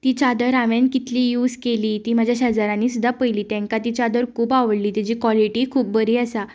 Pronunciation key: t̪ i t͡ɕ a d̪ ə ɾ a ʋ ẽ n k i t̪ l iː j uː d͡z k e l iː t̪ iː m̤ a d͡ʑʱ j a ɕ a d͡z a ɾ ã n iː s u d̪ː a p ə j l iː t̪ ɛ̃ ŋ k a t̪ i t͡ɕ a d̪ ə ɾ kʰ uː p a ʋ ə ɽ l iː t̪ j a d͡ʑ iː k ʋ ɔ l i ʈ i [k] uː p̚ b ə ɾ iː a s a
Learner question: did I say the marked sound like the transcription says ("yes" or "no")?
no